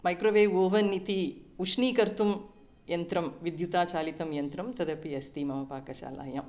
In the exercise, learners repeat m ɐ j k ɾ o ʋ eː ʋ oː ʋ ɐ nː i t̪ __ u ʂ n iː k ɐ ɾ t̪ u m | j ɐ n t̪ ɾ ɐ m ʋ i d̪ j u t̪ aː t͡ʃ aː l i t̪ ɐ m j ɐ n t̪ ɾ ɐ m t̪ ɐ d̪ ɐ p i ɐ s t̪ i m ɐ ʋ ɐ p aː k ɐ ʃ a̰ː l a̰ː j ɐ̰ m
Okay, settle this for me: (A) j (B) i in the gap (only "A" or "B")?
B